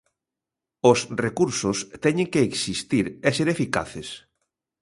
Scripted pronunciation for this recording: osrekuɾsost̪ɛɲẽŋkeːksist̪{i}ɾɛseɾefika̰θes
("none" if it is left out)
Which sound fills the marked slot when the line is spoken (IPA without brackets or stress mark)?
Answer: i